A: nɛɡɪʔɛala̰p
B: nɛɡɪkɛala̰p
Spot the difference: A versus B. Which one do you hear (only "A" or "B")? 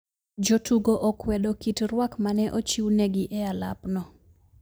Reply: A